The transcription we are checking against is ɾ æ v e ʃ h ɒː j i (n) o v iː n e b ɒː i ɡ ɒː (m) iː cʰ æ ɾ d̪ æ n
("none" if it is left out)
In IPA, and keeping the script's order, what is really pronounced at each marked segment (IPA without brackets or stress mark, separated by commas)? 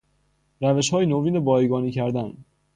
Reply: n, n